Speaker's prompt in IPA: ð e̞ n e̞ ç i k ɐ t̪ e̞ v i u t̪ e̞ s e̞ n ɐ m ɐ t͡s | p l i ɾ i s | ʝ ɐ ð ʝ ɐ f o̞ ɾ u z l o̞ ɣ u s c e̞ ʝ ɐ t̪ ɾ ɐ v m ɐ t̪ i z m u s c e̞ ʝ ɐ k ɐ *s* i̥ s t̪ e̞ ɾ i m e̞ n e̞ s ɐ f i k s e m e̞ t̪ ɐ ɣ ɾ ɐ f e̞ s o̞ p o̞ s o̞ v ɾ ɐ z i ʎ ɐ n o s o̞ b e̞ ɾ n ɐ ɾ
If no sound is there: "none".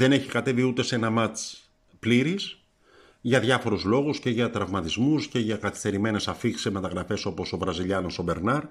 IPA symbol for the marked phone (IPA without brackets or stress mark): θ